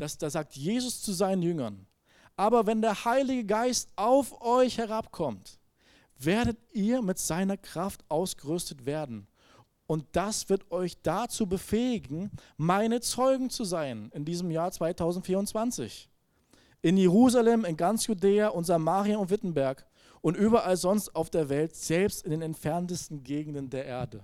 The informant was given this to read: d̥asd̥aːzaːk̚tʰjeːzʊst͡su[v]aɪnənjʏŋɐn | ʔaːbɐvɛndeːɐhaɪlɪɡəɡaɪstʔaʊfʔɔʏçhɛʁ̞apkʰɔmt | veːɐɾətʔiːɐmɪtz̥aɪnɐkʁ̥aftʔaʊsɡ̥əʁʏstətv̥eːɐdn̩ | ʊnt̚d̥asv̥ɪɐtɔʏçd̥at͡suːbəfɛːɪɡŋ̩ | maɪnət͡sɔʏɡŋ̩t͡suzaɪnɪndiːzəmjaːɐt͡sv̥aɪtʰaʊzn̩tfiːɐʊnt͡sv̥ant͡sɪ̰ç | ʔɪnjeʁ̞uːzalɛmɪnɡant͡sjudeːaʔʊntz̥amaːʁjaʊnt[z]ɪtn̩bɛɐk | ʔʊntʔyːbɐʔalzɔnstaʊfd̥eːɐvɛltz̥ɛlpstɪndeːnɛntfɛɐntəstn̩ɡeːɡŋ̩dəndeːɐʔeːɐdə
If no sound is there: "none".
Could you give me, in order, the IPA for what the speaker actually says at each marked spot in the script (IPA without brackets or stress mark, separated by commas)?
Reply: z, v